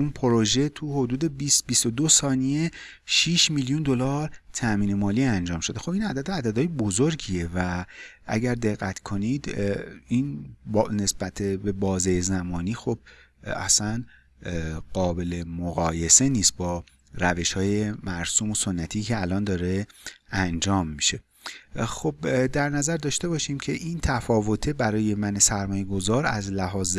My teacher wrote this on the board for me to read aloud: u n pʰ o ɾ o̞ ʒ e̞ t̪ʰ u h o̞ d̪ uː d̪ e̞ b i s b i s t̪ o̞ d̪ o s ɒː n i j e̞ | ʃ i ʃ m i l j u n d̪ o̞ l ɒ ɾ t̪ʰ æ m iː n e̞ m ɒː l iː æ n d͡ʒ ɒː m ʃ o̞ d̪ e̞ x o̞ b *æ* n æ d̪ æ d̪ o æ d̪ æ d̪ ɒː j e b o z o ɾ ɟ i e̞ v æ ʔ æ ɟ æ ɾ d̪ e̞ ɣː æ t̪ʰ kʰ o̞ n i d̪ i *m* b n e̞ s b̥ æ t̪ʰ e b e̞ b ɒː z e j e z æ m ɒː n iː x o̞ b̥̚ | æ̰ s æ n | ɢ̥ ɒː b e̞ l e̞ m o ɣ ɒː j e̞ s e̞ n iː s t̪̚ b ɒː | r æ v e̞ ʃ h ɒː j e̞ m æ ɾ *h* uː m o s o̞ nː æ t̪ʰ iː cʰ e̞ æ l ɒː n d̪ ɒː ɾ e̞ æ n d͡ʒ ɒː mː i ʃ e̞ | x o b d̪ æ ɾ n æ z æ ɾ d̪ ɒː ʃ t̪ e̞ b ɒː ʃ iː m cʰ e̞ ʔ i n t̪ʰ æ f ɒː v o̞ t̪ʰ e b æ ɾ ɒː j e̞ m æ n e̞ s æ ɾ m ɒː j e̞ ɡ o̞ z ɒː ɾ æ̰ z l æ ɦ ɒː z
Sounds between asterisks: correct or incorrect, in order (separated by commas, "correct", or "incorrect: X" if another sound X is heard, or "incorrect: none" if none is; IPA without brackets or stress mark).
incorrect: i, incorrect: n, incorrect: s